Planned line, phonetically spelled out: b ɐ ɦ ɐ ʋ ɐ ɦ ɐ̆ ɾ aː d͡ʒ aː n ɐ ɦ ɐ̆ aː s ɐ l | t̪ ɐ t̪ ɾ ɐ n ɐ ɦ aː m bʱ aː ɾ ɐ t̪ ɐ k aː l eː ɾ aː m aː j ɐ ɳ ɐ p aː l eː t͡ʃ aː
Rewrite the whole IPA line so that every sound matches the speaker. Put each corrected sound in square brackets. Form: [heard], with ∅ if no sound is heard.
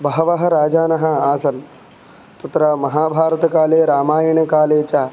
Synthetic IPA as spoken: b ɐ ɦ ɐ ʋ ɐ ɦ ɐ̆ ɾ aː d͡ʒ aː n ɐ ɦ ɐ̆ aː s ɐ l | t̪ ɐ t̪ ɾ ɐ [m] ɐ ɦ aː [∅] bʱ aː ɾ ɐ t̪ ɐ k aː l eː ɾ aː m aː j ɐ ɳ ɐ [k] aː l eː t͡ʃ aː